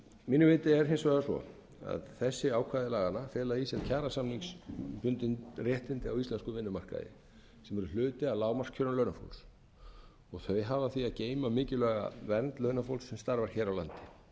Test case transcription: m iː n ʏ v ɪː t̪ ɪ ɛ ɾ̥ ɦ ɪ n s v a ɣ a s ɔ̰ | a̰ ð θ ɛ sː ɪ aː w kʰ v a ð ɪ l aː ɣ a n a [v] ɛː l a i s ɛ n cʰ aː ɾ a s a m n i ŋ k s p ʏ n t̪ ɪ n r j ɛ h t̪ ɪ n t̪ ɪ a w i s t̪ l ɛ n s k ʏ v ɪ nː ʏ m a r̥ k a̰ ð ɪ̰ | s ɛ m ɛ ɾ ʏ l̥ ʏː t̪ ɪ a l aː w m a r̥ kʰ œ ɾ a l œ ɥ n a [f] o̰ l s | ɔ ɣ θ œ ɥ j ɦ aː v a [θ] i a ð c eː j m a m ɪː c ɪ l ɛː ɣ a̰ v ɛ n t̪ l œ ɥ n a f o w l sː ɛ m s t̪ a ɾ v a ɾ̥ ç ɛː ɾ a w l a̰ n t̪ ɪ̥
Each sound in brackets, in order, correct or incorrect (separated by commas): incorrect, correct, correct